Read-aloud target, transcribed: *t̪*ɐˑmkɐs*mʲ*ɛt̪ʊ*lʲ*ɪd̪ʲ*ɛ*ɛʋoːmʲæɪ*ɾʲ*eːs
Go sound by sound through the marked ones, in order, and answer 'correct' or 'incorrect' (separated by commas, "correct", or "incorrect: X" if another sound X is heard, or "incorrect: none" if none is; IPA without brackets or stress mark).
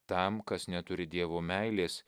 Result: correct, incorrect: nʲ, incorrect: ɾʲ, incorrect: i, incorrect: lʲ